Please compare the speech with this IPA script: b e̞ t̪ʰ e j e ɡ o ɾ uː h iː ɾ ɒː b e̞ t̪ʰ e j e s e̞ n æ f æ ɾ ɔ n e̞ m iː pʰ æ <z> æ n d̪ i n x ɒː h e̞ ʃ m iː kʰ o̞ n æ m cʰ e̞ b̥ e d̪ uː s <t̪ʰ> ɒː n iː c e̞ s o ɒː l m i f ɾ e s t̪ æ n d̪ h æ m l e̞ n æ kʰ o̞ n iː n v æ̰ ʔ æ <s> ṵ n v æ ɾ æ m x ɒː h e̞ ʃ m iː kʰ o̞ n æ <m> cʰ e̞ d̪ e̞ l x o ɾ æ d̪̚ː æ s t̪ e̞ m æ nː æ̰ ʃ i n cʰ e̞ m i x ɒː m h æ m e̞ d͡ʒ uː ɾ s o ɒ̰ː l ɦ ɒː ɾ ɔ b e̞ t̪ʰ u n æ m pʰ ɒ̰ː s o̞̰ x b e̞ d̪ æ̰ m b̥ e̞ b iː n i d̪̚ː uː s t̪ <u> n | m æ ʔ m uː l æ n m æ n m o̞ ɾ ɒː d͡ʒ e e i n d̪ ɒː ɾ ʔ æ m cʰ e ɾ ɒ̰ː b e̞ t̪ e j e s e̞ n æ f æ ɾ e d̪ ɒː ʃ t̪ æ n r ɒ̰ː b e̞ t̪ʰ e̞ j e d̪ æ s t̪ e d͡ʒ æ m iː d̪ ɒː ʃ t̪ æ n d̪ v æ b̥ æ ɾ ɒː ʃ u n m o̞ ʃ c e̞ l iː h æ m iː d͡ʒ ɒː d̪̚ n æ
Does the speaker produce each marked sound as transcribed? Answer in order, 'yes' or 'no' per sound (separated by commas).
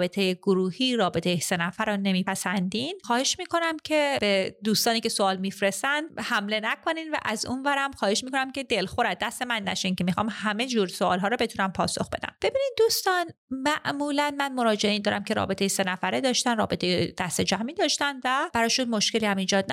no, no, no, yes, no